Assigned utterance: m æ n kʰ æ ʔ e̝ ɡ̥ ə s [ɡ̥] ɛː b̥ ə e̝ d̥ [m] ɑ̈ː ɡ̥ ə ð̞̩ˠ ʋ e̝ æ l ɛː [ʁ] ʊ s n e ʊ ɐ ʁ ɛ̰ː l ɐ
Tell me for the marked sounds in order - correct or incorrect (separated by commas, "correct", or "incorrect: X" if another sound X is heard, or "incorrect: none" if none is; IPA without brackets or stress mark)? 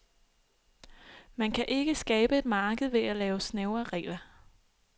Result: correct, correct, incorrect: none